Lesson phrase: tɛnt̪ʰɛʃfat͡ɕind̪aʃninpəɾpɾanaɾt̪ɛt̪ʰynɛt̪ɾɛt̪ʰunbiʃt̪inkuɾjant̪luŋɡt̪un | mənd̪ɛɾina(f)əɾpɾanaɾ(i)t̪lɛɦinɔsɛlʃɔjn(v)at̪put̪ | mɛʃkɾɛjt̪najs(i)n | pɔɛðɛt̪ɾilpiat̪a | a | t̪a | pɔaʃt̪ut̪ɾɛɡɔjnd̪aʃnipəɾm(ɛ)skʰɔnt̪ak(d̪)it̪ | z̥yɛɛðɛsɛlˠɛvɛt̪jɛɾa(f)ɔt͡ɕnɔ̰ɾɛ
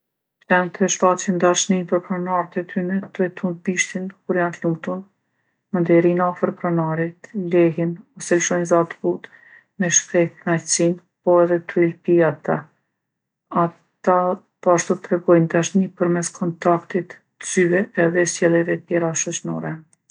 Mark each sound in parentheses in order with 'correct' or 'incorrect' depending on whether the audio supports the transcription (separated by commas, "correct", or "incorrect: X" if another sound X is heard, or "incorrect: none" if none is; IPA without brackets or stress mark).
correct, correct, incorrect: z, correct, correct, incorrect: t̪, incorrect: ʃ